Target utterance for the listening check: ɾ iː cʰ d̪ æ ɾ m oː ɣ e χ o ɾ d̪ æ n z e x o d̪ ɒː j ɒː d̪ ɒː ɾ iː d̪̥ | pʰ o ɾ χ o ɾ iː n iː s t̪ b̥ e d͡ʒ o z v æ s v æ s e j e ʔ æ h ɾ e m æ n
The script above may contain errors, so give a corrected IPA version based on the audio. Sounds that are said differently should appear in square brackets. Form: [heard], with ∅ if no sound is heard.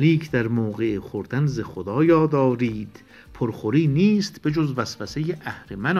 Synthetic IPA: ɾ iː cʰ d̪ æ ɾ m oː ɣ e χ o ɾ d̪ æ n z e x o d̪ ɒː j ɒː d̪ ɒː ɾ iː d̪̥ | pʰ o ɾ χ o ɾ iː n iː s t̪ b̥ e d͡ʒ o z v æ s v æ s e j e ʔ æ h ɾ e m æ n